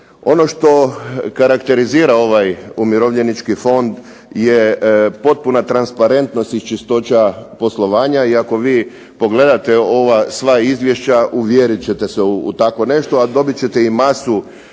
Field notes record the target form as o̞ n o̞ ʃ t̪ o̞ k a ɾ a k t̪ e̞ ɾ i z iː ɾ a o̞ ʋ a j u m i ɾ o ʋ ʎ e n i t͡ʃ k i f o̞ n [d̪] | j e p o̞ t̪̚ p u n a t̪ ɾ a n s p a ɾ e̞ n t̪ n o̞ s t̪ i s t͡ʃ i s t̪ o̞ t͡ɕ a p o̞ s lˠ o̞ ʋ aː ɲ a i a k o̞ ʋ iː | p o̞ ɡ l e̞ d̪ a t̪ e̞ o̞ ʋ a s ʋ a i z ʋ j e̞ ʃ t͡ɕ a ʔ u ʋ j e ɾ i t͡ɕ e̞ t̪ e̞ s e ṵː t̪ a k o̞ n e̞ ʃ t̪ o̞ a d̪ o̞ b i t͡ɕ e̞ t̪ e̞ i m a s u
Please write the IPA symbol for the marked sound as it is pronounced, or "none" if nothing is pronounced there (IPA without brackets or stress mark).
d̪